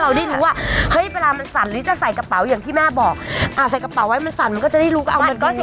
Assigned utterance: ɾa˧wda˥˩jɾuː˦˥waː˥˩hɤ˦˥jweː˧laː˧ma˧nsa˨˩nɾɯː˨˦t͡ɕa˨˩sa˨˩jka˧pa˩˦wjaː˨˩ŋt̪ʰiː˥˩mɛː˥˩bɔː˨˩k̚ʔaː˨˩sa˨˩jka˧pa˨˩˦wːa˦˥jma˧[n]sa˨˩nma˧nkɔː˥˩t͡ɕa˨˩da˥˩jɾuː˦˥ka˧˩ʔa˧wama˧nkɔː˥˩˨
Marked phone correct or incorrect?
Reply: correct